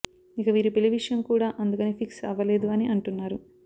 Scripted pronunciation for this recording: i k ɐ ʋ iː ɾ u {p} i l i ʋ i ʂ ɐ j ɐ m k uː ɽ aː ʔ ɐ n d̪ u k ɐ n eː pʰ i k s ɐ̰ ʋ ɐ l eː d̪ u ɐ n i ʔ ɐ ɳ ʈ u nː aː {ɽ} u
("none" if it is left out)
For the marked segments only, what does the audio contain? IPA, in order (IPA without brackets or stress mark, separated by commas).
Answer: p, ɾ